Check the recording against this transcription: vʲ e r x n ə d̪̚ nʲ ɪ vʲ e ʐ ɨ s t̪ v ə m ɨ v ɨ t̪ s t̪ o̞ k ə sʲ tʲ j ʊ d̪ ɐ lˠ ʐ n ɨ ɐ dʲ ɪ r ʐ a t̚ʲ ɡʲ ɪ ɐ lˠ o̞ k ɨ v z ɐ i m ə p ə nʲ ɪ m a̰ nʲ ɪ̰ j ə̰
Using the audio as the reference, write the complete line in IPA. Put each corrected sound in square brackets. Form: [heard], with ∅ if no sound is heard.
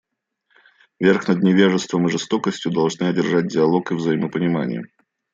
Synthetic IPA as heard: vʲ e r x n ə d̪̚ nʲ ɪ vʲ e ʐ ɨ s t̪ v ə m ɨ [ʐ] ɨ [∅] s t̪ o̞ k ə sʲ tʲ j ʊ d̪ ɐ lˠ ʐ n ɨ ɐ dʲ ɪ r ʐ a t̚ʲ [dʲ] ɪ ɐ lˠ o̞ k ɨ v z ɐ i m ə p ə nʲ ɪ m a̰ nʲ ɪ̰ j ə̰